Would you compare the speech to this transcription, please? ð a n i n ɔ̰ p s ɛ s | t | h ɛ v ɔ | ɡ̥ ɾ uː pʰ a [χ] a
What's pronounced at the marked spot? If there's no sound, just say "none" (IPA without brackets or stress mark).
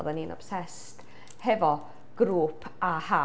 h